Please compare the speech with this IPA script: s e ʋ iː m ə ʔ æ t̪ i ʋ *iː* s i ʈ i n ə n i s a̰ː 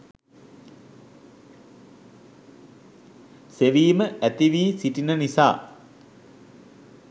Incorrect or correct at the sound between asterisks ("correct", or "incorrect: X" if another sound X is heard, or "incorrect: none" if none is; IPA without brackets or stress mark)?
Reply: correct